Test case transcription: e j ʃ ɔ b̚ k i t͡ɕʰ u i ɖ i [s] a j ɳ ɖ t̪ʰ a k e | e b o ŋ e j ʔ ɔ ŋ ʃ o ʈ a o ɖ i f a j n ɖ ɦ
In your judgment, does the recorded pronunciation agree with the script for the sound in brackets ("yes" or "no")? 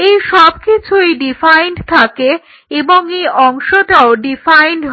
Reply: no